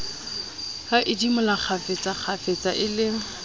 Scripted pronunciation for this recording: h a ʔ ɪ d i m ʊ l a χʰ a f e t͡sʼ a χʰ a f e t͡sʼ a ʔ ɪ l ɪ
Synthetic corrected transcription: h a ʔ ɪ d i m ʊ l a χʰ a f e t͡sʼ a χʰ a f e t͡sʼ a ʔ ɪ l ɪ